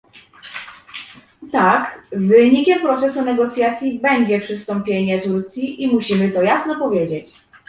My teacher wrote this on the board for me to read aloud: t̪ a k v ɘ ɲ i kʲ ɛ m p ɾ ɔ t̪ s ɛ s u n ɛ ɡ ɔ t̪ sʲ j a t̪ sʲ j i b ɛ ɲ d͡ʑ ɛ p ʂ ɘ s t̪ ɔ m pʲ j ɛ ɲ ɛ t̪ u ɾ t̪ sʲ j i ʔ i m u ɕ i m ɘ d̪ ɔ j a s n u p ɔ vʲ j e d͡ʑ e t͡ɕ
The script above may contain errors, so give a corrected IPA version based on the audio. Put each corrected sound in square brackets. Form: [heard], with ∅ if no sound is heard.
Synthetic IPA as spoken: t̪ a k v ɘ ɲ i kʲ ɛ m p ɾ ɔ t̪ s ɛ s u n ɛ ɡ ɔ t̪ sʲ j a t̪ sʲ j i b ɛ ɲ d͡ʑ ɛ p ʂ ɘ s t̪ ɔ m pʲ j [e] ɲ ɛ t̪ u ɾ t̪ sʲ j i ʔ i m u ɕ i m ɘ [t̪] ɔ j a s n [ɔ] p ɔ vʲ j e d͡ʑ e t͡ɕ